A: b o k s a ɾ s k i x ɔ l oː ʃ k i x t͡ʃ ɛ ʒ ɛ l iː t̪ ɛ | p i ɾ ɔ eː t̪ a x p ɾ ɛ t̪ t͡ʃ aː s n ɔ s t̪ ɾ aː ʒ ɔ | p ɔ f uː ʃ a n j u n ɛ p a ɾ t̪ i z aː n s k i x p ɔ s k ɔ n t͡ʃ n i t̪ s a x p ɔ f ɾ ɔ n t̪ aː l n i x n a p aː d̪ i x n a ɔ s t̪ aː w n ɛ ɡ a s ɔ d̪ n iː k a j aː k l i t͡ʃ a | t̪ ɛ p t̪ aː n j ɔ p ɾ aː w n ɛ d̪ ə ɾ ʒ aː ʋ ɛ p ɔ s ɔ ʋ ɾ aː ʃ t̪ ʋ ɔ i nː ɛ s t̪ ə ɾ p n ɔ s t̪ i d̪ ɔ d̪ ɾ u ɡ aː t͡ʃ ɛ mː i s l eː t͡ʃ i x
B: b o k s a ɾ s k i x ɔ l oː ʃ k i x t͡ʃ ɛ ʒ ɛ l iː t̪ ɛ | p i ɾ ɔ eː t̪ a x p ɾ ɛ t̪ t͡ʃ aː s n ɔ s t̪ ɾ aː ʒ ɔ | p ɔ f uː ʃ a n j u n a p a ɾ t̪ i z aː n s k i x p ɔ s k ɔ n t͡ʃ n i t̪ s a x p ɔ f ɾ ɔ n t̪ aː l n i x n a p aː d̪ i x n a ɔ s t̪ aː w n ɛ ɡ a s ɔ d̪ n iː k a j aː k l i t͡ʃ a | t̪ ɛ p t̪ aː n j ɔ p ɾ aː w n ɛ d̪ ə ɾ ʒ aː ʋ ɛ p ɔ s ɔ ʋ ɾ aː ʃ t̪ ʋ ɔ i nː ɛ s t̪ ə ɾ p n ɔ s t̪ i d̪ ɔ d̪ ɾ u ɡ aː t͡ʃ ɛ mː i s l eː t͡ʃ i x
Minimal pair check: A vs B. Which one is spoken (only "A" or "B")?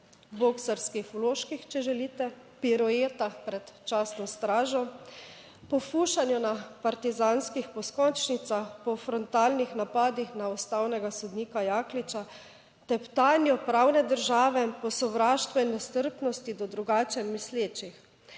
B